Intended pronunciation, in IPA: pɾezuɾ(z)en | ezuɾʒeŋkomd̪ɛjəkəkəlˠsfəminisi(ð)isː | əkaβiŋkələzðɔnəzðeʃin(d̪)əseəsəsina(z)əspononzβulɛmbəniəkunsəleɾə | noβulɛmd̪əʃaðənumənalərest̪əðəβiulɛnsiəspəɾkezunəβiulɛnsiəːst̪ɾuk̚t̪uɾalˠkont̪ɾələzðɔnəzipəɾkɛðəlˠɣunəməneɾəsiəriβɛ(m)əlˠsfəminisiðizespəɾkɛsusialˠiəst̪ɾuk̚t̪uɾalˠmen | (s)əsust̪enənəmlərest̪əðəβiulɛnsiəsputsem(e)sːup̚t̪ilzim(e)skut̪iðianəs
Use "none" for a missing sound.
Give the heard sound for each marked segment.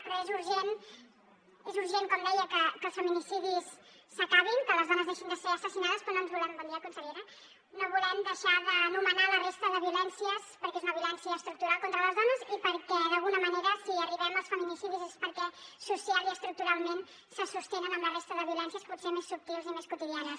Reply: ʒ, ð, d̪, ð, m, s, e, e

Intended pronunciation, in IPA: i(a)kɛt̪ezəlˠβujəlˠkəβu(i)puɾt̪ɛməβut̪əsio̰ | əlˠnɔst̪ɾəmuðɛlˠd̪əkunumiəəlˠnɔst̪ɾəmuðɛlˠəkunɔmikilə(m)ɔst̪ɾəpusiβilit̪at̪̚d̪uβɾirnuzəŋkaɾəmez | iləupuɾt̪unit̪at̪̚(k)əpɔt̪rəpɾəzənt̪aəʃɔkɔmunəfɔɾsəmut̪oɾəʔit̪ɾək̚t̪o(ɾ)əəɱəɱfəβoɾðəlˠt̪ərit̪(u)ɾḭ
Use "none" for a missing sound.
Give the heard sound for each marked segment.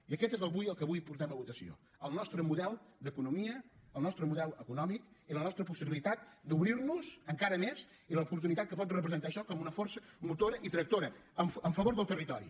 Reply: ə, j, n, k, ɾ, ɔ

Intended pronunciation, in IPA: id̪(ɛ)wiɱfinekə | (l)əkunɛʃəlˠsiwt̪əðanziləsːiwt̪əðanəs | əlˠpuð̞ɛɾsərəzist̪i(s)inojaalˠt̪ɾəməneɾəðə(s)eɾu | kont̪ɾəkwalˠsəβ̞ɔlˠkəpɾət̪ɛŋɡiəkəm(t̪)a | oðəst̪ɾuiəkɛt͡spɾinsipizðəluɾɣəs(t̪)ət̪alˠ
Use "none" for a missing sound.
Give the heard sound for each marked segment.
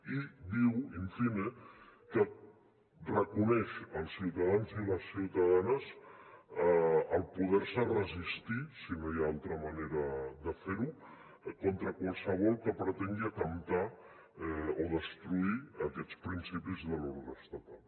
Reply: i, r, s, f, t̪, t̪

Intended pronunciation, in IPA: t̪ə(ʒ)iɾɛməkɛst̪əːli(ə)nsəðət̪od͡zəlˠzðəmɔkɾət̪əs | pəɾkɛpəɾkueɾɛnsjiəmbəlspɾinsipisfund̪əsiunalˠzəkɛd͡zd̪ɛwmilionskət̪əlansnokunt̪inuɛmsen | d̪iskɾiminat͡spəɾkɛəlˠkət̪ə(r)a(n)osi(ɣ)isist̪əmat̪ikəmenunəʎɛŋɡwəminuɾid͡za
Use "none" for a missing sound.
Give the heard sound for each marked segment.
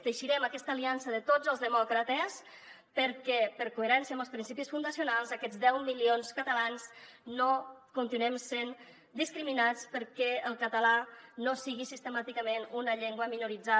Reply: ʃ, a, l, n, ɣ

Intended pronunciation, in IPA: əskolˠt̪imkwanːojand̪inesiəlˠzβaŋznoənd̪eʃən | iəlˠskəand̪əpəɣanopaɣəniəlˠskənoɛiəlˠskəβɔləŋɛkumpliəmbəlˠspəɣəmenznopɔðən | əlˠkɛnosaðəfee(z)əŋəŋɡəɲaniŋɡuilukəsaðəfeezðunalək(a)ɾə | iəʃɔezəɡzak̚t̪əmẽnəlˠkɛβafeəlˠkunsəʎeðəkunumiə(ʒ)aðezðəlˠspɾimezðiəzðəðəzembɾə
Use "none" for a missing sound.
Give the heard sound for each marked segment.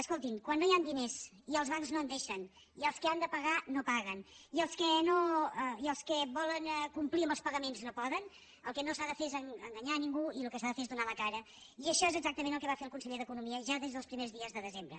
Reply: z, a, ʒ

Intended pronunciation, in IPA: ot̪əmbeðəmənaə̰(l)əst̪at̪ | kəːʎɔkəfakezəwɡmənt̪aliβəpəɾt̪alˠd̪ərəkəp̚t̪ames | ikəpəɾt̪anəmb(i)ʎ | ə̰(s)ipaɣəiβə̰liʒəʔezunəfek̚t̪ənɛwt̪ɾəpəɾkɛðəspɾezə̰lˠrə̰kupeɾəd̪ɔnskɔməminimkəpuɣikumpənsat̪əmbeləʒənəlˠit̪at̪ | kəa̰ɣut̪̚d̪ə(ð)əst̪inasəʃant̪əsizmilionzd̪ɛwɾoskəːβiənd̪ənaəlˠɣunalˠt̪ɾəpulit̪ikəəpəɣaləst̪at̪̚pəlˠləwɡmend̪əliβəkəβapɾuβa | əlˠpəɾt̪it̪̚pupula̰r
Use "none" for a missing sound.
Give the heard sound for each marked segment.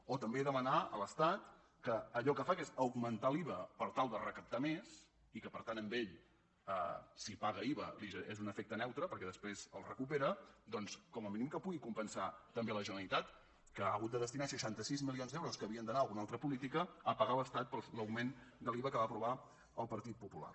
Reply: l, e, s, ð

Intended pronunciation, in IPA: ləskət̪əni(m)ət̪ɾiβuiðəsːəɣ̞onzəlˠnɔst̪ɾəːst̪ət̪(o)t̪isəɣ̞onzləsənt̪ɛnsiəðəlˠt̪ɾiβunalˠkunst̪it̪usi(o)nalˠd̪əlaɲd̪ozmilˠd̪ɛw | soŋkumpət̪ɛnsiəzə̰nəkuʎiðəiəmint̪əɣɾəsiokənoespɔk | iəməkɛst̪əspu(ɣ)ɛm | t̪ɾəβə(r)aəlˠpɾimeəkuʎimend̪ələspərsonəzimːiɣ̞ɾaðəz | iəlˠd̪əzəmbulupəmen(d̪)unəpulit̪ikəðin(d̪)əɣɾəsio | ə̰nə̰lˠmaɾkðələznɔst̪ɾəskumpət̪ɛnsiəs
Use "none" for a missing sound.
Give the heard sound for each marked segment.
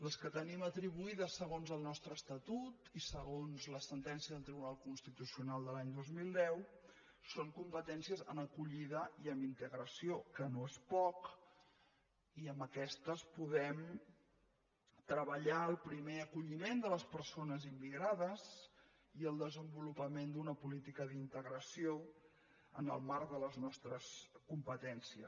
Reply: m, u, u, ð, ʎ, d̪, t̪

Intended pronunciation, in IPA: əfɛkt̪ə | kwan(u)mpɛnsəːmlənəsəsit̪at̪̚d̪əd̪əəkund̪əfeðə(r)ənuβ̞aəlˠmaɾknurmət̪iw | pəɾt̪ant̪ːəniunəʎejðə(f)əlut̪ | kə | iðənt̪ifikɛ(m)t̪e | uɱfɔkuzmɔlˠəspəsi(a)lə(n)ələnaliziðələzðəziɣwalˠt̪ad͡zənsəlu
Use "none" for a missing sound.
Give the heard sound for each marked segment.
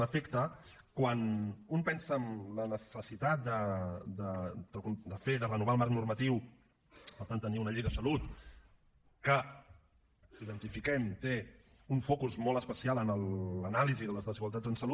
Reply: u, r, s, m, a, n

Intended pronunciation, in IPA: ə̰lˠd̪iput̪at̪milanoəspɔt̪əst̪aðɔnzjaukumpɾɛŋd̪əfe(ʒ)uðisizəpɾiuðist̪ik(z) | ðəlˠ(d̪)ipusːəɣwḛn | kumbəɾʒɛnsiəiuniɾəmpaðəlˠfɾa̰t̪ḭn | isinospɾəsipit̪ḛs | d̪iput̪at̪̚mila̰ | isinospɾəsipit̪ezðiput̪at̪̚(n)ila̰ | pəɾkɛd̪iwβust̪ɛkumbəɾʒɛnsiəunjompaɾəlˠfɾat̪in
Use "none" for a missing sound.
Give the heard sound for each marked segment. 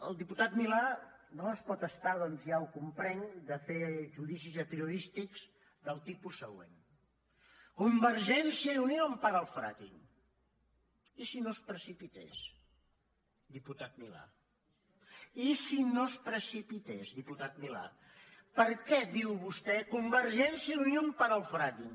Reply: ʒ, z, t̪, m

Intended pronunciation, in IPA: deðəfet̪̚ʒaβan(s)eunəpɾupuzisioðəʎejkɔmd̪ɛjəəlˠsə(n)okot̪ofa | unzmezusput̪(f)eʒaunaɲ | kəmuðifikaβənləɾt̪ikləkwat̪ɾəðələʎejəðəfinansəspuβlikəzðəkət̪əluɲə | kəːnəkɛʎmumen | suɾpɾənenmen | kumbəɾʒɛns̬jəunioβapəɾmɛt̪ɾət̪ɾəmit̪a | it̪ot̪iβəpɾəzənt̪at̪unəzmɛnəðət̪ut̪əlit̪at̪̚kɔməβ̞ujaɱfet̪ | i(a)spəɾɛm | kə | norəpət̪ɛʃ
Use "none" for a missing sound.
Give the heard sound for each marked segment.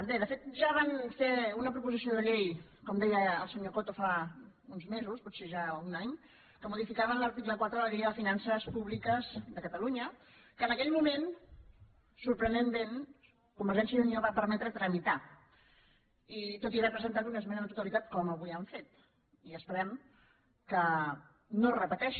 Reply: f, ɲ, s, ə

